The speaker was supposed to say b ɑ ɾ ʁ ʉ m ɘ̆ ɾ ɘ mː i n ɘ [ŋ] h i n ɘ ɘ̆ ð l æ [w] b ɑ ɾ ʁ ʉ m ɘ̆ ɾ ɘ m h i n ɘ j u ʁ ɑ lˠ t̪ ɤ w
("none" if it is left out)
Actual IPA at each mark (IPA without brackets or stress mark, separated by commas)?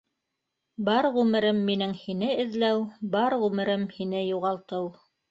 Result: ŋ, w